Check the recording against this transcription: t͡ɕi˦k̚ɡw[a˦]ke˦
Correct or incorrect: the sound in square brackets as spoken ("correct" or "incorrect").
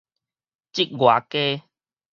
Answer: incorrect